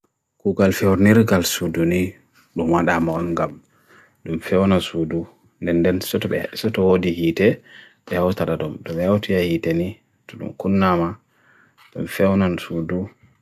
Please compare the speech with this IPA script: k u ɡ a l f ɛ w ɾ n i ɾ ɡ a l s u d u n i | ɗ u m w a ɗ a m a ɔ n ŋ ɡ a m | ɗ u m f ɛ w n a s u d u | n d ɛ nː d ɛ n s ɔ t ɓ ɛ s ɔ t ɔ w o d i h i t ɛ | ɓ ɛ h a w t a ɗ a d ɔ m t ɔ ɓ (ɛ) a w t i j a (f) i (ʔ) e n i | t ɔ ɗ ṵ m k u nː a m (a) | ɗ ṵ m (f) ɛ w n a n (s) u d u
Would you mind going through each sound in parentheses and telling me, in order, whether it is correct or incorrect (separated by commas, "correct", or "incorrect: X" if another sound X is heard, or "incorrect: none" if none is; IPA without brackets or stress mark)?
correct, incorrect: h, incorrect: t, correct, correct, correct